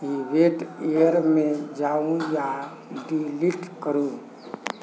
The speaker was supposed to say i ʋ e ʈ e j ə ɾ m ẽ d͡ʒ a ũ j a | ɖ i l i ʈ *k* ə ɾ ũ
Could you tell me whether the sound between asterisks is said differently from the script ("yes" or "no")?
no